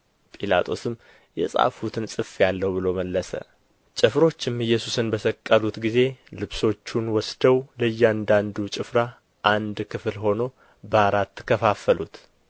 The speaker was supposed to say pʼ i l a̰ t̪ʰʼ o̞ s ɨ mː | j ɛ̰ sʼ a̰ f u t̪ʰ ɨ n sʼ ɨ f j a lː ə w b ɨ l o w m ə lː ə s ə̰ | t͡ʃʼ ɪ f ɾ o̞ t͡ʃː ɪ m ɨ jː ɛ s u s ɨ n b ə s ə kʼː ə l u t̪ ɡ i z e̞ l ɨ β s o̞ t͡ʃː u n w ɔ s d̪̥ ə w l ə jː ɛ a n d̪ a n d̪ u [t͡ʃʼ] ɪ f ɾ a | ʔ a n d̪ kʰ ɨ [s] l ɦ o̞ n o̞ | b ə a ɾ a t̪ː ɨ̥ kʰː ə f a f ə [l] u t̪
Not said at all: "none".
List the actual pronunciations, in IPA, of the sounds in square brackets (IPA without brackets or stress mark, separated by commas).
t͡ʃʼ, f, l